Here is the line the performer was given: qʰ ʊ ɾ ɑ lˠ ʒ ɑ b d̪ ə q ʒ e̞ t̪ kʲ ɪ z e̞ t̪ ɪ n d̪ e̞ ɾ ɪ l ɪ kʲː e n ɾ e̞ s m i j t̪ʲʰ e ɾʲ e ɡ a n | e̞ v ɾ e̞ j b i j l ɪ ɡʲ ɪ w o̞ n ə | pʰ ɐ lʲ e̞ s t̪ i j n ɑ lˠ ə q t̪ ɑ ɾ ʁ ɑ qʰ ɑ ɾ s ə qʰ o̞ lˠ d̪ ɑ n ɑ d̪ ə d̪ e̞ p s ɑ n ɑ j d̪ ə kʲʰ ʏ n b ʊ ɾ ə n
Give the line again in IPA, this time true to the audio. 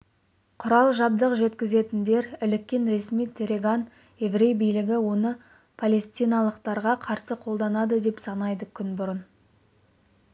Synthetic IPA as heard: qʰ ʊ ɾ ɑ lˠ ʒ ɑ b d̪ ə q ʒ e̞ t̪ kʲ ɪ z e̞ t̪ ɪ n d̪ e̞ ɾ ɪ l ɪ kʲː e n ɾ e̞ s m i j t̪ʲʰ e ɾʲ e ɡ a n | e̞ v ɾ e̞ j b i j l ɪ ɡʲ ɪ w o̞ n ə | pʰ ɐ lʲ e̞ s t̪ i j n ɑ lˠ ə q t̪ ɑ ɾ ʁ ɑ qʰ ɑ ɾ s ə qʰ o̞ lˠ d̪ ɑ n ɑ d̪ ə d̪ e̞ p s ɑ n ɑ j d̪ ə kʲʰ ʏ n b ʊ ɾ ə n